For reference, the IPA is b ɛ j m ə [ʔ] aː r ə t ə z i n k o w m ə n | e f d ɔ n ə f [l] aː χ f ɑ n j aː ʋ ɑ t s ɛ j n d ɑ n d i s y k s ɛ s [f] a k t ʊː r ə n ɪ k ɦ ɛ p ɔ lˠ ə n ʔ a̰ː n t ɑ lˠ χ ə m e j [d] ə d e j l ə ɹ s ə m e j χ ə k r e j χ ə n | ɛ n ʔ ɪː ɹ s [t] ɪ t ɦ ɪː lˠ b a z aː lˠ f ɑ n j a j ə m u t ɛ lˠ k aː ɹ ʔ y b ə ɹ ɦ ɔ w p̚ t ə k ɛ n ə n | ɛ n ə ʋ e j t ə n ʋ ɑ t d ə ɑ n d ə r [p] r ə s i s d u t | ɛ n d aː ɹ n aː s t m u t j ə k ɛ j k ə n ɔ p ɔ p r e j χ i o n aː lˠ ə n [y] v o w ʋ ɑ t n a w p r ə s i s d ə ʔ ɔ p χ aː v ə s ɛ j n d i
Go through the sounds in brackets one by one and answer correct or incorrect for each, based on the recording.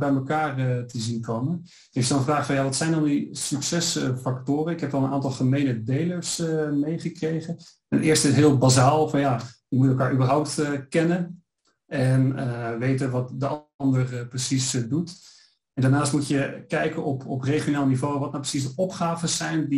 incorrect: k, incorrect: r, correct, incorrect: n, correct, correct, incorrect: i

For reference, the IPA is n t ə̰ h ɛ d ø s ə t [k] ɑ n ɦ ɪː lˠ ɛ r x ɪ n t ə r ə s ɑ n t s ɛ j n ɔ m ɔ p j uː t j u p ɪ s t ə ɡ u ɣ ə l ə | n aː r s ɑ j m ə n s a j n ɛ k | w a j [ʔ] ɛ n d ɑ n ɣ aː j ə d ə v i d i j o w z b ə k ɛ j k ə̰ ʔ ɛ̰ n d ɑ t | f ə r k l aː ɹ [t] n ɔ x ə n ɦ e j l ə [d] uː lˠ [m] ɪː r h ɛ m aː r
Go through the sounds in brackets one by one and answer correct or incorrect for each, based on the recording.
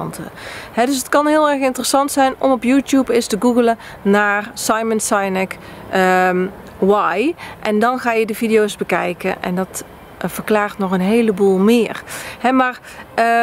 correct, correct, correct, incorrect: b, correct

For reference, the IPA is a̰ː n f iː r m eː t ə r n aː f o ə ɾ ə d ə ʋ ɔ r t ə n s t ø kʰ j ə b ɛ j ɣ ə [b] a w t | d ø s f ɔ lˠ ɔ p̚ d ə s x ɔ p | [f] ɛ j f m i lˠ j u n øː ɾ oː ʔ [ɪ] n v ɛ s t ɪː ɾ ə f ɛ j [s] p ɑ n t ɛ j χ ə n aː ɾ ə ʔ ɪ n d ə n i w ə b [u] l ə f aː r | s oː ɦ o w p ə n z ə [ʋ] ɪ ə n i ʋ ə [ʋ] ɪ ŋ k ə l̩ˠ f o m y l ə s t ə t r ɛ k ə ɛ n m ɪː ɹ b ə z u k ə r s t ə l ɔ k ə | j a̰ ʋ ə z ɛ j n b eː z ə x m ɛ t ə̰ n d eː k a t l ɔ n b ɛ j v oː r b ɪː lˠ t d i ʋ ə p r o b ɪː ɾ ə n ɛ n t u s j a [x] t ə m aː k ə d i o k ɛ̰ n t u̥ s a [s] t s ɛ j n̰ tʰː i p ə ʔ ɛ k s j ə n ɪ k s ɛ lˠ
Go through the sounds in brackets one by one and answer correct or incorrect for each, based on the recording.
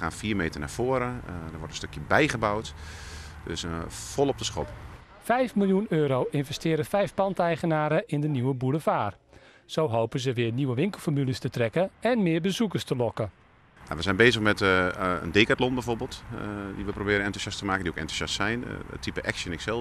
correct, correct, correct, incorrect: f, correct, correct, correct, incorrect: s, correct

